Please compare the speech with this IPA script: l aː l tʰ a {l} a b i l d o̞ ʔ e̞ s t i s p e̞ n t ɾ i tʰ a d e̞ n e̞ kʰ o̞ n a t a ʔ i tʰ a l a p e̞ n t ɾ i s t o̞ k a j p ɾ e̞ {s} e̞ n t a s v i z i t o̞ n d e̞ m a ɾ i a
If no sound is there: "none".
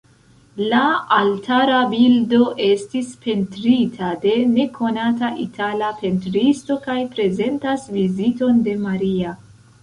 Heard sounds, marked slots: ɾ, z

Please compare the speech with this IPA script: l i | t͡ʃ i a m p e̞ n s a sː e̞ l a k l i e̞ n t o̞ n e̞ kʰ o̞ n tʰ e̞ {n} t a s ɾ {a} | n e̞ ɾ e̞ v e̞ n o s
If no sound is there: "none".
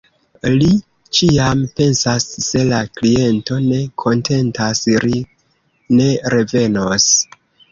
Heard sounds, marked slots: n, i

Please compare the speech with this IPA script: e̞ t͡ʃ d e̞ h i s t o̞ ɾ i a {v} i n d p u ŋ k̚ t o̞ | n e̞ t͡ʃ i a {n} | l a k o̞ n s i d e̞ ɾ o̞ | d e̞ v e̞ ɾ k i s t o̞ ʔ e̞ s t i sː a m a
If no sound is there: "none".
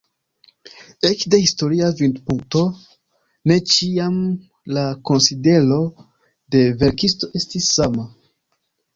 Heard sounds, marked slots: v, m

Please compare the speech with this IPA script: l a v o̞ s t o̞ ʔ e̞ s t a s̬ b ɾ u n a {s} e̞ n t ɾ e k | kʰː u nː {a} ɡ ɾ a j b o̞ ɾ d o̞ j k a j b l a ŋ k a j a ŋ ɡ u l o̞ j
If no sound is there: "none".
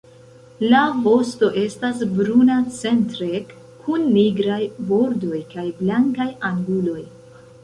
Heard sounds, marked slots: t͡s, i

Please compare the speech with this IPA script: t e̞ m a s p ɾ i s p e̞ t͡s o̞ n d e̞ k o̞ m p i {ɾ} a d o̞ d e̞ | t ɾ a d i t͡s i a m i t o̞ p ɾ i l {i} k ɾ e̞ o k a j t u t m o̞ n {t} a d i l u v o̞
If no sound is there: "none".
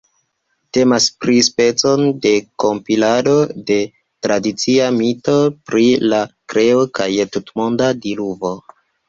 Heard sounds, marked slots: l, a, d

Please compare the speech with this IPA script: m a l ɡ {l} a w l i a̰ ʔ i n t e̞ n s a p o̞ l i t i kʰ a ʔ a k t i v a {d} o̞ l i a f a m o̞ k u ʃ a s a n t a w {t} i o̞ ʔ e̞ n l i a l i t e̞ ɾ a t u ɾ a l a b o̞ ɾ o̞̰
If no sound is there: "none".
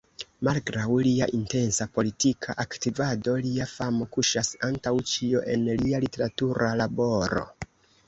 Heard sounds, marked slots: ɾ, d, t͡ʃ

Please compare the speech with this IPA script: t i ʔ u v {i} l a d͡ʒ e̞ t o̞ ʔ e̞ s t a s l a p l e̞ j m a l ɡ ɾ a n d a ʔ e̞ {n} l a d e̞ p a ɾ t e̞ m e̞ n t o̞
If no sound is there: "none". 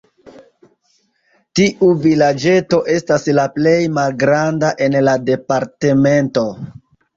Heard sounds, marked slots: i, n

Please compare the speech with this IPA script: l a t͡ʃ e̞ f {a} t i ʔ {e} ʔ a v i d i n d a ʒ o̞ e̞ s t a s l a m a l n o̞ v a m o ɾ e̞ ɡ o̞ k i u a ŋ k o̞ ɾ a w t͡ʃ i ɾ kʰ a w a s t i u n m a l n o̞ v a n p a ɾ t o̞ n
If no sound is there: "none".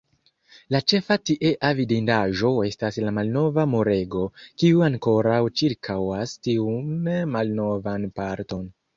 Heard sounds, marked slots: a, e

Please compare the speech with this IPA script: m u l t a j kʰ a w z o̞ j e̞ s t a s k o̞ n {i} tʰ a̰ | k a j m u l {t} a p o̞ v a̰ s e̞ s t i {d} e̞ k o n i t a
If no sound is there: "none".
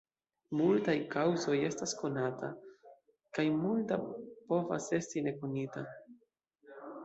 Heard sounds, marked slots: a, t, n

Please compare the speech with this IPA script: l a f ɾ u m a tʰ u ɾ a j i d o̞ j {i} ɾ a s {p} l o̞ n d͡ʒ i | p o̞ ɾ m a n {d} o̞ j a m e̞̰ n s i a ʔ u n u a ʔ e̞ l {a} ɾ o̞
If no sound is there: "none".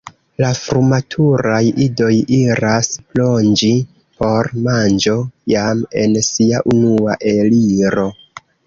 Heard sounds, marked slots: i, p, d͡ʒ, i

